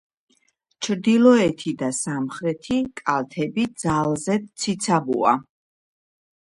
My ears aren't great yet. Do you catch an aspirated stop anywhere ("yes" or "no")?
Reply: yes